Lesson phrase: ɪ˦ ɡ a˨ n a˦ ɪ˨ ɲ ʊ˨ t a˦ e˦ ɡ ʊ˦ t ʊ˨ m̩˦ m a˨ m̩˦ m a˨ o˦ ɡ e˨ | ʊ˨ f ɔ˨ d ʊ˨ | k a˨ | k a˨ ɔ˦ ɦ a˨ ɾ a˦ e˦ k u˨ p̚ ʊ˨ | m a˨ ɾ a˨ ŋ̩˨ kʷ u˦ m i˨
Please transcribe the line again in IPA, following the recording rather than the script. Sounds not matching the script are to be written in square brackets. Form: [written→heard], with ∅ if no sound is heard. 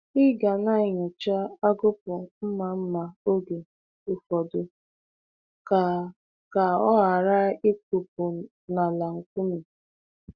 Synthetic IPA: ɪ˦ ɡ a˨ n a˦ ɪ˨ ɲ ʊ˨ [t→t͡ʃ] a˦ [e˦→a˦] ɡ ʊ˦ [t→p] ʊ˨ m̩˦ m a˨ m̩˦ m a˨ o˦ ɡ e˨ | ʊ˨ f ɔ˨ d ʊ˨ | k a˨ | k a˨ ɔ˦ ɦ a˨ ɾ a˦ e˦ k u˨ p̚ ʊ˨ | [m→n] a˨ [ɾ→l] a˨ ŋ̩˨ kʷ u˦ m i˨